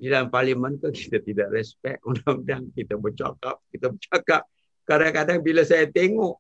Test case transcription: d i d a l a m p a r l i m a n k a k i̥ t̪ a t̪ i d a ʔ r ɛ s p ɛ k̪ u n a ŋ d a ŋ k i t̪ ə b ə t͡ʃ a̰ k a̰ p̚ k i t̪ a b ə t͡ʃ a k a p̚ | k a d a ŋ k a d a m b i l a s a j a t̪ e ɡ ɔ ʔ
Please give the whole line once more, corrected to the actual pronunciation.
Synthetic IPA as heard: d i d a l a m p a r l i m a n k a k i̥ t̪ a t̪ i d a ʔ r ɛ s p ɛ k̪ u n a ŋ d a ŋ k i t̪ a b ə t͡ʃ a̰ k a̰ p̚ k i t̪ a b ə t͡ʃ a k a p̚ | k a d a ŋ k a d a ŋ b i l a s a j a t̪ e ŋ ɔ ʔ